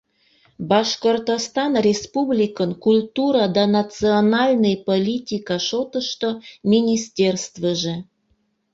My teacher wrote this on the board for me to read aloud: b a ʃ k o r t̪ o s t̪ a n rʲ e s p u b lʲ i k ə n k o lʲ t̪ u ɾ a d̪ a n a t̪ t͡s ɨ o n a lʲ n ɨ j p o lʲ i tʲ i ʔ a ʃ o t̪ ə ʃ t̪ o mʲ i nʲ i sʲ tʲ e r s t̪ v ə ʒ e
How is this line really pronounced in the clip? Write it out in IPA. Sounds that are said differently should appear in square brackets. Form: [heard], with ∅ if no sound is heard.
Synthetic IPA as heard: b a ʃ k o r t̪ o s t̪ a n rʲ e s p u b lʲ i k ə n k [u] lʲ t̪ u ɾ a d̪ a n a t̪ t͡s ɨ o n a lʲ n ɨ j p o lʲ i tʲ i [k] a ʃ o t̪ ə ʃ t̪ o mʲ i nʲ i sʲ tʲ e r s t̪ v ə ʒ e

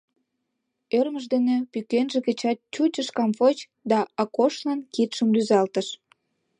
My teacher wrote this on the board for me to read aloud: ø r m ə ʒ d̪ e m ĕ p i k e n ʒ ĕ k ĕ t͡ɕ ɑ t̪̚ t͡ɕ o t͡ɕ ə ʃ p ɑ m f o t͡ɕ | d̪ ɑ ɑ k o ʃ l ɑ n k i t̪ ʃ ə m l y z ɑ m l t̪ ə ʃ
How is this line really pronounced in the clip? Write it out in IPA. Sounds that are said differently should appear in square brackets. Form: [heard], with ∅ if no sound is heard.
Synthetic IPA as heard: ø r m ə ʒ d̪ e [n] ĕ p [y] k e n ʒ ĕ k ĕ t͡ɕ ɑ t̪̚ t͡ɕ [u] t͡ɕ ə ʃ [k] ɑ m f o t͡ɕ | d̪ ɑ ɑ k o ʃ l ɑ n k i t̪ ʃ ə m l y z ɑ [∅] l t̪ ə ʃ

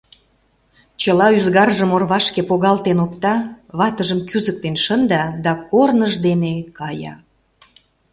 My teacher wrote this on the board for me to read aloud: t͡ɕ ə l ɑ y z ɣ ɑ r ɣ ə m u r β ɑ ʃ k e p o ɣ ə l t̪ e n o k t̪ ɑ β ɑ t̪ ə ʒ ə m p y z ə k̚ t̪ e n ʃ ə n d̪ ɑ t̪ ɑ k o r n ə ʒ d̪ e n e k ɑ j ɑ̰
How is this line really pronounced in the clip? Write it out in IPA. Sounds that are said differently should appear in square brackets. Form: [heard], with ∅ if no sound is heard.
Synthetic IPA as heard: t͡ɕ ə l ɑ y z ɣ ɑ r [ʒ] ə m [o] r β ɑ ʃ k e p o ɣ [ɑ] l t̪ e n o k t̪ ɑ β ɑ t̪ ə ʒ ə m [k] y z ə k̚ t̪ e n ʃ ə n d̪ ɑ [d̪] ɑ k o r n ə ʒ d̪ e n e k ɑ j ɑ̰

